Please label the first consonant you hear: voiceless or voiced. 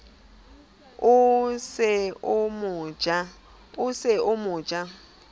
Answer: voiceless